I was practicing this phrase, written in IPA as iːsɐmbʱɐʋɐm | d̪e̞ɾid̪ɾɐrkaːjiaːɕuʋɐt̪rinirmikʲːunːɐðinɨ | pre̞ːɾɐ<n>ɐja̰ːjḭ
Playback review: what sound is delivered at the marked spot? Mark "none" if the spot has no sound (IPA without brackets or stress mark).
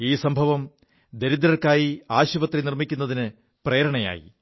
ɳ